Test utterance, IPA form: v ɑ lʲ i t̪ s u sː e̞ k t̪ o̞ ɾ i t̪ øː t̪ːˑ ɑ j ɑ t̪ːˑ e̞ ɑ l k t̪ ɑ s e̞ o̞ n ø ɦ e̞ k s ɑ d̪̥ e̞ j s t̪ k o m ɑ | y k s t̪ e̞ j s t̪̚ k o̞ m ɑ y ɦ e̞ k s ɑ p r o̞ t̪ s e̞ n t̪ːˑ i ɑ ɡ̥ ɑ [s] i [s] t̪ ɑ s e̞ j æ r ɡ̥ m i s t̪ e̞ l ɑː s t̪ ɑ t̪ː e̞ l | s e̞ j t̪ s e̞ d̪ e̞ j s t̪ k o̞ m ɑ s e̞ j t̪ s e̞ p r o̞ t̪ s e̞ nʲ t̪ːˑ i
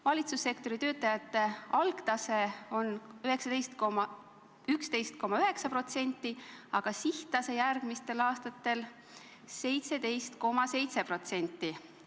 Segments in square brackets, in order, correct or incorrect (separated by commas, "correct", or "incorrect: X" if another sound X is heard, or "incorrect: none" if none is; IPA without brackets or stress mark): correct, incorrect: h